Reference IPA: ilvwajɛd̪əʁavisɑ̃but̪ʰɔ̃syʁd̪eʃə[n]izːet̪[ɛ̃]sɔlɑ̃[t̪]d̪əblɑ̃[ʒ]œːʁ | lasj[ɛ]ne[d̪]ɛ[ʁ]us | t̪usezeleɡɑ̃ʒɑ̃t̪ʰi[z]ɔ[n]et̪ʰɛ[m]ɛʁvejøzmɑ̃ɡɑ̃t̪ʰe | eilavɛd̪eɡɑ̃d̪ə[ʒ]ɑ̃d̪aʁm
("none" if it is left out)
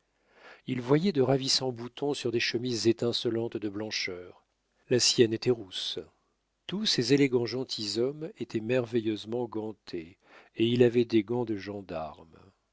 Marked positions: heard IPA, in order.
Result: m, ɛ̃, t̪, ʃ, ɛ, t̪, ʁ, z, m, m, ʒ

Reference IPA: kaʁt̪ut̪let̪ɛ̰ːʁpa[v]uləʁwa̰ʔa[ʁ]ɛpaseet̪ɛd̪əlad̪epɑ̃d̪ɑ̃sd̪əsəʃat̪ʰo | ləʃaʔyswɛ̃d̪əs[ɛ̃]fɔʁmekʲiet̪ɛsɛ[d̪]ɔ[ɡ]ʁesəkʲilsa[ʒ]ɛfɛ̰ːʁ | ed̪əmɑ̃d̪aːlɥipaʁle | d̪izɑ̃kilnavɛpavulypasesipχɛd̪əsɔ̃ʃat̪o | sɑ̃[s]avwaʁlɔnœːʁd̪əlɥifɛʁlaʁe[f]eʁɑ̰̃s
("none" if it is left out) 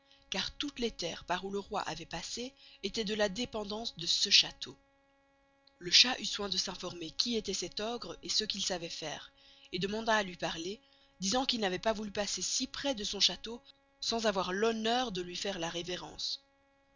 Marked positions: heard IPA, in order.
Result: ʁ, v, ɛ̃, t̪, ɡ, v, z, v

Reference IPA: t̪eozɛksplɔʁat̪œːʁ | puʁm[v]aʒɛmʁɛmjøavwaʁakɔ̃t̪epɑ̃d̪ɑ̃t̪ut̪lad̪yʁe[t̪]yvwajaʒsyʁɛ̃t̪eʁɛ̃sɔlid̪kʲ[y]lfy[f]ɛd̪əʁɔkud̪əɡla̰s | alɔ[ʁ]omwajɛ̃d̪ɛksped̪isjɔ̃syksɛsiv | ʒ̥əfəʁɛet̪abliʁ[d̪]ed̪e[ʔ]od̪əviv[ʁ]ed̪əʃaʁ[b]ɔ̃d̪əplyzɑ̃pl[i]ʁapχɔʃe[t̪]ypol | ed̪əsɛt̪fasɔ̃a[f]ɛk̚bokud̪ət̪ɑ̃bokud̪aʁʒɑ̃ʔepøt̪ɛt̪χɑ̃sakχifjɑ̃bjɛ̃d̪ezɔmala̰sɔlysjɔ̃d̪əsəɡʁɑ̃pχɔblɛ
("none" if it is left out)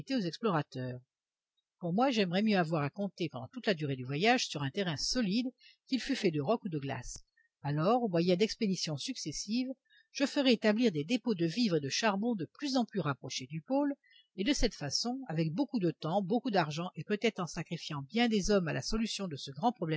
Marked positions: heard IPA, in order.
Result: w, d̪, i, f, ʁ, d̪, p, ʁ, b, y, d̪, v

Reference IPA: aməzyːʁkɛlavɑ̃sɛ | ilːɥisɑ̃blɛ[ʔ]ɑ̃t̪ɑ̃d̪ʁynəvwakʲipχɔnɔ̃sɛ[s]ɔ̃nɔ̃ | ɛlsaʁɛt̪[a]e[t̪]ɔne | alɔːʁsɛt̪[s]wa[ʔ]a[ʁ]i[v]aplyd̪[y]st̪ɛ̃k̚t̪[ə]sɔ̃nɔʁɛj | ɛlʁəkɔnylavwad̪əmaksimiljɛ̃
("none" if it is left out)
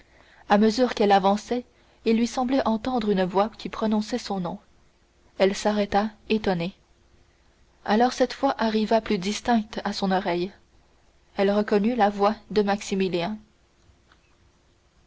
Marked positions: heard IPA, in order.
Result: ʔ, s, a, t̪, f, ʔ, ʁ, v, i, a

